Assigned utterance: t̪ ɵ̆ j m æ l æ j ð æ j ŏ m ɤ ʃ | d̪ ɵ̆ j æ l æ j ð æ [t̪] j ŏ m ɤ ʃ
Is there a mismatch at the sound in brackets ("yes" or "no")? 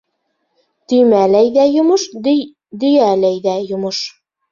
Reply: yes